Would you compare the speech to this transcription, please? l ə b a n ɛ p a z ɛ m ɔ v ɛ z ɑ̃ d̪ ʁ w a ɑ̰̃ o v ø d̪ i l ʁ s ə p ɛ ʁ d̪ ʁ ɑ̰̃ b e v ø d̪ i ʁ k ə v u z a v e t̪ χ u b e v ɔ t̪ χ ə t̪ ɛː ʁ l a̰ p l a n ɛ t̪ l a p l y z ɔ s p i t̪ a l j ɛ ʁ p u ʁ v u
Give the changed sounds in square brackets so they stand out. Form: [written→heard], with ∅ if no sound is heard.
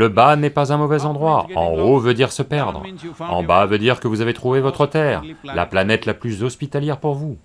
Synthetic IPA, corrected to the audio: l ə b a n ɛ p a z [ɛ→ɛ̃] m ɔ v ɛ z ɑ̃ d̪ ʁ w a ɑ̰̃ o v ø d̪ i [l→∅] ʁ s ə p ɛ ʁ d̪ ʁ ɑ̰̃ b [e→a] v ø d̪ i ʁ k ə v u z a v e t̪ χ u [b→v] e v ɔ t̪ χ ə t̪ ɛː ʁ l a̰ p l a n ɛ t̪ l a p l y z ɔ s p i t̪ a l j ɛ ʁ p u ʁ v u